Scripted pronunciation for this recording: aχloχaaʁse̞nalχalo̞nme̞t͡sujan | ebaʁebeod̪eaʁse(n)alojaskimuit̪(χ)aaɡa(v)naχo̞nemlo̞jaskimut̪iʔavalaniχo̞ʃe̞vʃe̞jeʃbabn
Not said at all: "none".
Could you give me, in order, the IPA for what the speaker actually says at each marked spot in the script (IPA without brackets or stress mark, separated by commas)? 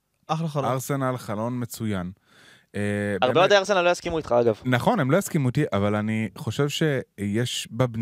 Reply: n, χ, v